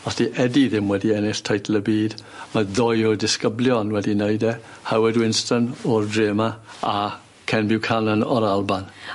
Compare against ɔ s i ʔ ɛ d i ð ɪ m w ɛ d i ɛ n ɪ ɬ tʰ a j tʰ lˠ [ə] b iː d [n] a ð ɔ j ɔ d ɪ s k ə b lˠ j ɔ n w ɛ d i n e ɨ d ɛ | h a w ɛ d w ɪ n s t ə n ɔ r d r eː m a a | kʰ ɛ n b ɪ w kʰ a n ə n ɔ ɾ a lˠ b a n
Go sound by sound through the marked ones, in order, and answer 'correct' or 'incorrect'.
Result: correct, incorrect: m

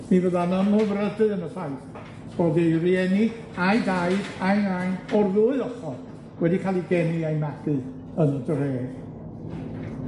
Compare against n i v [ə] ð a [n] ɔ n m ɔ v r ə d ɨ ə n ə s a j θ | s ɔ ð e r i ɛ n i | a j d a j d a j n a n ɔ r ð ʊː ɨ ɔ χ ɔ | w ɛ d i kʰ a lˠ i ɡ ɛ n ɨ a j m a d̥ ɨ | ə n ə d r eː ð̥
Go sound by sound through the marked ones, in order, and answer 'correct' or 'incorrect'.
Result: correct, correct

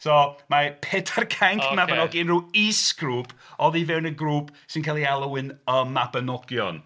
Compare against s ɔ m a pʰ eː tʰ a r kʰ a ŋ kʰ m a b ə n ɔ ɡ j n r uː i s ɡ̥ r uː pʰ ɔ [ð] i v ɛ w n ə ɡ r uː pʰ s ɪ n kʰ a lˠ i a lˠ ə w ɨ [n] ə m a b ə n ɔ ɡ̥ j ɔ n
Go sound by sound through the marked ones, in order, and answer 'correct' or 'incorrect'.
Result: correct, correct

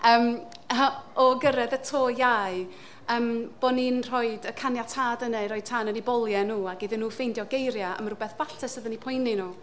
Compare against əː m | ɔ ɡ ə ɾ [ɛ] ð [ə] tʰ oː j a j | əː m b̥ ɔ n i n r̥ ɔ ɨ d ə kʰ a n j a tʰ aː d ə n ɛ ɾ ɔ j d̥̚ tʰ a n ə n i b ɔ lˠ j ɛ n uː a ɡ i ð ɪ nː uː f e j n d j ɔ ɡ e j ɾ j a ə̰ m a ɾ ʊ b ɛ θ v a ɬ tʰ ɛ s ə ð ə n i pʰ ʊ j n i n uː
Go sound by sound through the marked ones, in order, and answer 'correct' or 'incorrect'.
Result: correct, correct

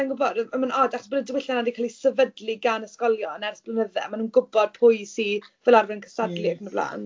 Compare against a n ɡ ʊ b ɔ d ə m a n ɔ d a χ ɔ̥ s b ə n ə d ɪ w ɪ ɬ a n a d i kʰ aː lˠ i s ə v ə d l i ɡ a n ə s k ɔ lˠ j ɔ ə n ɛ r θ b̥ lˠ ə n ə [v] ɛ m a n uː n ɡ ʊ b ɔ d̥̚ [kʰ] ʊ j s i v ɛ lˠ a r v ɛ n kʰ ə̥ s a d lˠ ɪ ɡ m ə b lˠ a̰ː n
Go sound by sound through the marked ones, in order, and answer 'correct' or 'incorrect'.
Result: incorrect: ð, incorrect: pʰ

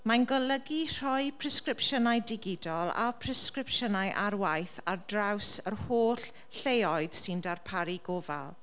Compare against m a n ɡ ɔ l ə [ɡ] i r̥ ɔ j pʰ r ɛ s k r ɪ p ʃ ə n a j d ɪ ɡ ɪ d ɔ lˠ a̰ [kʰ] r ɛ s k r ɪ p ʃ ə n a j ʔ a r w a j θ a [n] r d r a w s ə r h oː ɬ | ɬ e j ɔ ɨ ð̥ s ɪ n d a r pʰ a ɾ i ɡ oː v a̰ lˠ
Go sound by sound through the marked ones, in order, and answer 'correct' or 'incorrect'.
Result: correct, incorrect: pʰ, incorrect: none

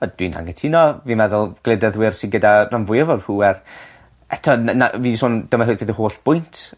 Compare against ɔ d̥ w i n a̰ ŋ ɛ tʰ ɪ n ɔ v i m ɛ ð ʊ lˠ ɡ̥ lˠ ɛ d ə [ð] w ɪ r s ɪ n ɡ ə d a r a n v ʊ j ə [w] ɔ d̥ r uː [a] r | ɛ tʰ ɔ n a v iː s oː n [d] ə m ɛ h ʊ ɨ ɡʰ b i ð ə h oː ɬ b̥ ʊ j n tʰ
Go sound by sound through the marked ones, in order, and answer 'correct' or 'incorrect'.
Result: correct, incorrect: v, incorrect: ɛ, correct

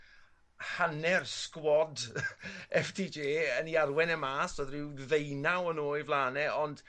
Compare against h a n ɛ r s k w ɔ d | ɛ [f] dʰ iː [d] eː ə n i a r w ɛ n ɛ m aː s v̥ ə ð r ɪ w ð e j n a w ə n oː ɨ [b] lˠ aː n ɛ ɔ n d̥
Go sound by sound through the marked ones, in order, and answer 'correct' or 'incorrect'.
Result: correct, incorrect: d͡ʒ, incorrect: v

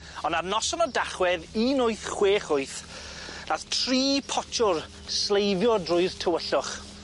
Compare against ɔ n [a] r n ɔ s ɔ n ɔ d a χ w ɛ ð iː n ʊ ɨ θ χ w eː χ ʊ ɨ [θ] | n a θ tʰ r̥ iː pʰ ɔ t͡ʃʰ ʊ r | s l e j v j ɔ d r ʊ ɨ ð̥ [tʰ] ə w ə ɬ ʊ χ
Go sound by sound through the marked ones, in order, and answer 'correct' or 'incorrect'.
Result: correct, correct, correct

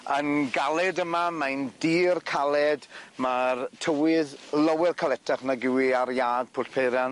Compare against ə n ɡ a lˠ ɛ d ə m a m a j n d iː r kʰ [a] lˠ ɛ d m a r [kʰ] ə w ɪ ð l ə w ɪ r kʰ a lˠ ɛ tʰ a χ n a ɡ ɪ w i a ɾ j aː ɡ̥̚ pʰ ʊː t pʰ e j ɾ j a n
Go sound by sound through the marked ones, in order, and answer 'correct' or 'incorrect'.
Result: correct, incorrect: tʰ

